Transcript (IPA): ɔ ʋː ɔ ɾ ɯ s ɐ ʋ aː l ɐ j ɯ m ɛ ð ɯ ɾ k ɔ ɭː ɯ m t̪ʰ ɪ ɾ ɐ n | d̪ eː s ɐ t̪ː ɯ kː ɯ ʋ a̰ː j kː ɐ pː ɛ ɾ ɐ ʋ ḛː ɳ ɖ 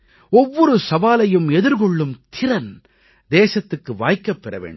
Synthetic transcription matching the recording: ɔ ʋː ɔ ɾ ɯ s ɐ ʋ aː l ɐ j ɯ m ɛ ð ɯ ɾ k ɔ ɭː ɯ m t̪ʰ ɪ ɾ ɐ n | d̪ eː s ɐ t̪ː ɯ kː ɯ ʋ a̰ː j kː ɐ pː ɛ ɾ ɐ ʋ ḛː ɳ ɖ